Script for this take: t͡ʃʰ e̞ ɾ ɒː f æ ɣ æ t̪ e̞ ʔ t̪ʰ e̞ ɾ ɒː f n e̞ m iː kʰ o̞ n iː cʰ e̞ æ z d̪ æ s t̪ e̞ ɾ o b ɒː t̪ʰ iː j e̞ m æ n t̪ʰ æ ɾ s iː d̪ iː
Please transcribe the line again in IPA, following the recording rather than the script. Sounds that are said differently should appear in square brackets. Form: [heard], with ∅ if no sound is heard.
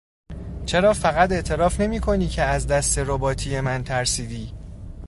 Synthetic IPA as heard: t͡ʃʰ e̞ ɾ ɒː f æ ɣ æ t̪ e̞ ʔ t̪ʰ e̞ ɾ ɒː f n e̞ m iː kʰ o̞ n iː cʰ e̞ æ z d̪ æ s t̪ e̞ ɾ o b ɒː t̪ʰ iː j e̞ m æ n t̪ʰ æ ɾ s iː d̪ iː